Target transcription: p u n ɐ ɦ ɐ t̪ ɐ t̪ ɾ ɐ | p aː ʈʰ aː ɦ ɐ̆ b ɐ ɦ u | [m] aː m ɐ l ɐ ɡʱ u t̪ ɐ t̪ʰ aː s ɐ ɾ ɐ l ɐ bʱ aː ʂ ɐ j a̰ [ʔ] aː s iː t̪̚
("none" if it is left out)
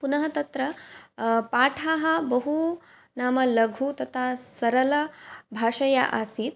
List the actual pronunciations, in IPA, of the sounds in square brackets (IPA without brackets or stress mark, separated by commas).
n, ʔ